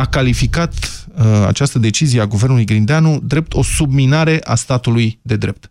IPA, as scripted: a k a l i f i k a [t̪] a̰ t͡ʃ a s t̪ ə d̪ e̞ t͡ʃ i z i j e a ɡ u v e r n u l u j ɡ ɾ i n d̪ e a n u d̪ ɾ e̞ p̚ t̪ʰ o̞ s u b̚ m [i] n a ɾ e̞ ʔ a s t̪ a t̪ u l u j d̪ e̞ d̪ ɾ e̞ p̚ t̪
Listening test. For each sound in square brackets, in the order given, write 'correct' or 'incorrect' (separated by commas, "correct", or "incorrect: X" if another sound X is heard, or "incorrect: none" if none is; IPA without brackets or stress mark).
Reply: correct, correct